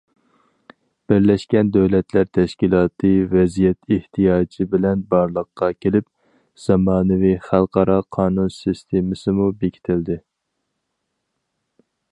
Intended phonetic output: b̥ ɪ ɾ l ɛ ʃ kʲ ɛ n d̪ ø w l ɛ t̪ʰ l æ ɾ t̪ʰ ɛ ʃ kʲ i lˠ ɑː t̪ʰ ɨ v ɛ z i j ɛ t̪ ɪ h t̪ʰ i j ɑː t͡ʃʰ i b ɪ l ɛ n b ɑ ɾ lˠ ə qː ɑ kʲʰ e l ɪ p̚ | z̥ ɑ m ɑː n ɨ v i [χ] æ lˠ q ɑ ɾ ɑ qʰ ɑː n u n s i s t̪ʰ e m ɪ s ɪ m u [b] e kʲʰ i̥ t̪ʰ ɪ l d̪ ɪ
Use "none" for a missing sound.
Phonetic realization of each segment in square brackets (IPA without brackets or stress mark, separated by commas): χ, b